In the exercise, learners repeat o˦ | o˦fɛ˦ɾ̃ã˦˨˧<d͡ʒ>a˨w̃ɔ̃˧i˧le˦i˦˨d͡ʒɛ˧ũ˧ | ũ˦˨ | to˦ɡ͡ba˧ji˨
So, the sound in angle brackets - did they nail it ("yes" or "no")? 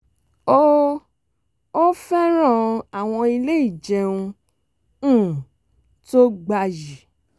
no